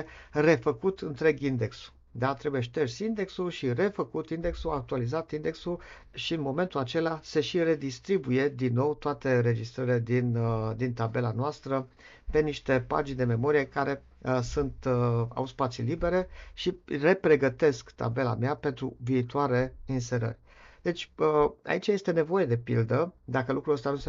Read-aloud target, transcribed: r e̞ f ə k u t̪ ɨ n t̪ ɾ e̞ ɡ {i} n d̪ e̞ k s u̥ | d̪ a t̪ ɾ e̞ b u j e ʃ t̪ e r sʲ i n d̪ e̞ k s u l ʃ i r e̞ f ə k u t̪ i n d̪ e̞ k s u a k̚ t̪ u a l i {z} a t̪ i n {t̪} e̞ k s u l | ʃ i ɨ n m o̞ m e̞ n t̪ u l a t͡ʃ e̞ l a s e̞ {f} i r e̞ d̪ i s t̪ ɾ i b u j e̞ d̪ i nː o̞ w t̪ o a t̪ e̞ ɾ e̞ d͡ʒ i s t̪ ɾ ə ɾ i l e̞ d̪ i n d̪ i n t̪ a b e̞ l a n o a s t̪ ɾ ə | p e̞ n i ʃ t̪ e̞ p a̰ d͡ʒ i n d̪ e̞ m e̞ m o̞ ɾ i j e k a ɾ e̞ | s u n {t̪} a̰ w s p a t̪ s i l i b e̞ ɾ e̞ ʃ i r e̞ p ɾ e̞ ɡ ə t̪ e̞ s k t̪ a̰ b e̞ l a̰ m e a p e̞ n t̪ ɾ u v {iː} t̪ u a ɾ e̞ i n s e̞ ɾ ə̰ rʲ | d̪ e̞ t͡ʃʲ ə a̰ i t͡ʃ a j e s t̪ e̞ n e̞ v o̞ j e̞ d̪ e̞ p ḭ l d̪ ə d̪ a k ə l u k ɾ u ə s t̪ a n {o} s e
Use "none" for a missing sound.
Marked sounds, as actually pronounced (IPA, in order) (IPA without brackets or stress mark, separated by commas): i, z, d̪, ʃ, t̪, iː, u